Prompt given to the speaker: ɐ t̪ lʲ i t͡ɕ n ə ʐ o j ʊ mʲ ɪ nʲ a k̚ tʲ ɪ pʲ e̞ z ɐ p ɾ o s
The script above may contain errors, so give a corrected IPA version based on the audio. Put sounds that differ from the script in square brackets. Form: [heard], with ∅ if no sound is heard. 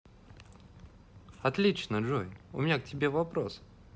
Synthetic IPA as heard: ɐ t̪ lʲ i t͡ɕ n ə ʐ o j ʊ mʲ ɪ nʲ a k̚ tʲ ɪ [bʲ] e̞ [v] ɐ p ɾ o s

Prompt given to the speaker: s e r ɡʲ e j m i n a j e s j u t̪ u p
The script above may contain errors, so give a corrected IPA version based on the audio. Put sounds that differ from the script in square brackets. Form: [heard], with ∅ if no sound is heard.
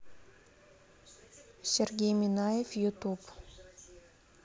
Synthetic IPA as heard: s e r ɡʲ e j m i n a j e [f] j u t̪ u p

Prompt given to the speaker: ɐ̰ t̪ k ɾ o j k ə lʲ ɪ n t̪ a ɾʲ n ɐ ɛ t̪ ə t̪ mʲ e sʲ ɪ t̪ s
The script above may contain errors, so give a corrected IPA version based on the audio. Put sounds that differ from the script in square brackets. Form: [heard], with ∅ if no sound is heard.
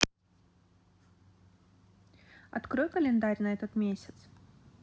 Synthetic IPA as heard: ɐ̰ t̪ k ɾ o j k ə lʲ ɪ n [d̪] a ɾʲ n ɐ ɛ t̪ ə t̪ mʲ e sʲ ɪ t̪ s

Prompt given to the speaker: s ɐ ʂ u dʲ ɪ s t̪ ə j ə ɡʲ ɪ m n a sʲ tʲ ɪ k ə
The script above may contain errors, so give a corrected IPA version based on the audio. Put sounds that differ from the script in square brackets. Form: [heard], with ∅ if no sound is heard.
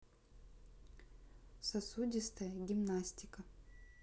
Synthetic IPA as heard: s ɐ [s] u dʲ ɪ s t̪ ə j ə ɡʲ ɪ m n a sʲ tʲ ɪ k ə

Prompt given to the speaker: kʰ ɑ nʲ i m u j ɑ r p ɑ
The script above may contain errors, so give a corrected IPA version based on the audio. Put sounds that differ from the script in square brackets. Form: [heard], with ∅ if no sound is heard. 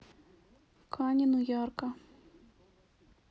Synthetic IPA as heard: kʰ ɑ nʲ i [n] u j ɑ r [k] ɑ

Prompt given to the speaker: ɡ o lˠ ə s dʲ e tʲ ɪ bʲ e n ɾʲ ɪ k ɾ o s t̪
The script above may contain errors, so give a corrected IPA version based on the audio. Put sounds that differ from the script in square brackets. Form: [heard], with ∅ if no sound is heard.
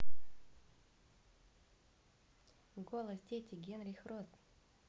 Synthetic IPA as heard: ɡ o lˠ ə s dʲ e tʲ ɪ [ɡʲ] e n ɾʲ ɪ [x] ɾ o s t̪

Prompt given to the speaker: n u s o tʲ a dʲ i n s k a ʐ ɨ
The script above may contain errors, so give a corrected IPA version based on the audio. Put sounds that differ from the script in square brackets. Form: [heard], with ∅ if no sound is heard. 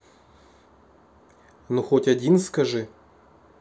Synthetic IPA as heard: n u [x] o tʲ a dʲ i n s k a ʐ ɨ

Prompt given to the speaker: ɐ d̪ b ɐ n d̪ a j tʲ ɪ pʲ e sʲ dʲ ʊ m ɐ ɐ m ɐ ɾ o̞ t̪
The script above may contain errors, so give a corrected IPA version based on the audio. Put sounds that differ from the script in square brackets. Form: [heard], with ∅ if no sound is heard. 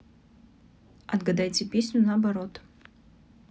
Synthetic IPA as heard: ɐ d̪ [ɡ] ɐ [∅] d̪ a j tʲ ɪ pʲ e sʲ [nʲ] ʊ [n] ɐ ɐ [b] ɐ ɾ o̞ t̪

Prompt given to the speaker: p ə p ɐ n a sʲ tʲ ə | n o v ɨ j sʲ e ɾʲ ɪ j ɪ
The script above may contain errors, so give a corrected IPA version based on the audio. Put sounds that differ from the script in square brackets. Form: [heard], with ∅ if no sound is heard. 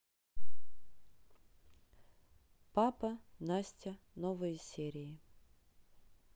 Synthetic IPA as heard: p [a] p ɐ n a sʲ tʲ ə | n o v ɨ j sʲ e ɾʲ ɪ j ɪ

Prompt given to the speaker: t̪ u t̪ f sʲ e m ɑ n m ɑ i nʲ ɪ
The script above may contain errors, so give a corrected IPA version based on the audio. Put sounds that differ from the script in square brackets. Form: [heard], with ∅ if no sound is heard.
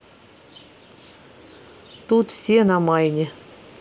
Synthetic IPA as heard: t̪ u t̪ f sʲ e [n] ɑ [∅] m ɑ [j] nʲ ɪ

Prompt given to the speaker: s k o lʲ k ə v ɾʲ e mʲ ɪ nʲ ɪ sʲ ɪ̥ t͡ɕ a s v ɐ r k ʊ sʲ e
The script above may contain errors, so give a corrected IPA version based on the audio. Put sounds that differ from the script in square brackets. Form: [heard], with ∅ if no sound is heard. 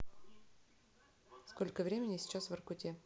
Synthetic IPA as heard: s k o lʲ k ə v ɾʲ e mʲ ɪ nʲ ɪ sʲ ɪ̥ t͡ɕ a s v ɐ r k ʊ [tʲ] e

